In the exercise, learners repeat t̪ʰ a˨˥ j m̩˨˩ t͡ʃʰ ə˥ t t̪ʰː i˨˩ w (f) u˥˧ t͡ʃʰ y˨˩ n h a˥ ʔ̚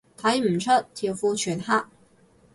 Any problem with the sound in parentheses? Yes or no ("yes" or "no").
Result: no